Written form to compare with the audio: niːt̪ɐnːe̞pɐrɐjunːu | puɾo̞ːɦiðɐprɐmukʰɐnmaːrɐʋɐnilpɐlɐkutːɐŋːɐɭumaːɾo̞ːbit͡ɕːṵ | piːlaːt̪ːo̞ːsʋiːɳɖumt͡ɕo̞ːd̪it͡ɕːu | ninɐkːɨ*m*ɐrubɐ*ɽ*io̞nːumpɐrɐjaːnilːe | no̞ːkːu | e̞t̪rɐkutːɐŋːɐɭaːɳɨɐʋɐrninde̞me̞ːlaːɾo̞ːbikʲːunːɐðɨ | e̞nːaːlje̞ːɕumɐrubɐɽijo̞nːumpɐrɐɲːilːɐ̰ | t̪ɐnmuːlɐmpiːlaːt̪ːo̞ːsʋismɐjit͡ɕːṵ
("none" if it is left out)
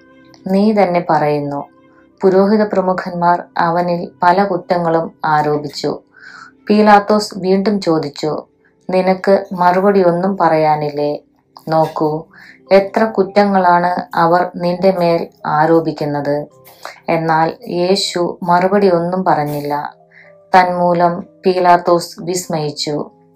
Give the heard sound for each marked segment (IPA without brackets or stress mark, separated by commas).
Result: m, ɽ